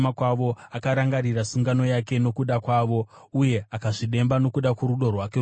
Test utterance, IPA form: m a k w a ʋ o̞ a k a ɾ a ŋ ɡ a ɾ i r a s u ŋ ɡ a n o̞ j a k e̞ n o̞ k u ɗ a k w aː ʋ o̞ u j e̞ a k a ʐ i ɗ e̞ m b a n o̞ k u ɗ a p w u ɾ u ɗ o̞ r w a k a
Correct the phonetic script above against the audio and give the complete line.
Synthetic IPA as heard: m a k w a ʋ o̞ a k a ɾ a ŋ ɡ a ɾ i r a s u ŋ ɡ a n o̞ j a k e̞ n o̞ k u ɗ a k w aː ʋ o̞ u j e̞ a k a ʐ i ɗ e̞ m b a n o̞ k u ɗ a k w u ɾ u ɗ o̞ r w a k e